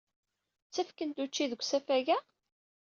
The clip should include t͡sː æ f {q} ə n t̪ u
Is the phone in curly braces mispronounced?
yes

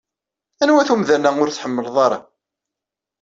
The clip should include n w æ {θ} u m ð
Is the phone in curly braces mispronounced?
no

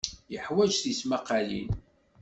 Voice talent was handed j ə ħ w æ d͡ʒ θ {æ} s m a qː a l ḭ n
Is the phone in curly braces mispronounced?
yes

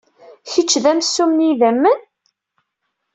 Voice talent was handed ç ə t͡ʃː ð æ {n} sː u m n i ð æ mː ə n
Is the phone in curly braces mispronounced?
yes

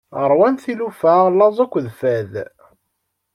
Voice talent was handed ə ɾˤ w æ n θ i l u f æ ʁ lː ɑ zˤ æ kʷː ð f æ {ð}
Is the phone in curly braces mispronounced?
no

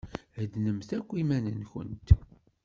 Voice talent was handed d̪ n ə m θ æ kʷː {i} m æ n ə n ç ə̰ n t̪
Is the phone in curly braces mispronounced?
no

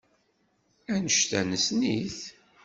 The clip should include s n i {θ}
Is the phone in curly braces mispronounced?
no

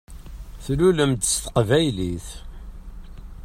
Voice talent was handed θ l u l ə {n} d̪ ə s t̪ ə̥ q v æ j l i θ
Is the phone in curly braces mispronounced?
yes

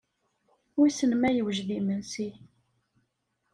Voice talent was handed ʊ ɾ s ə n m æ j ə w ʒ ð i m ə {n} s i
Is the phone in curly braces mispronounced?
no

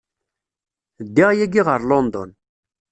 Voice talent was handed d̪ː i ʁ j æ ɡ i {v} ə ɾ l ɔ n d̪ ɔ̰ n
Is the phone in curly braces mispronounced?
yes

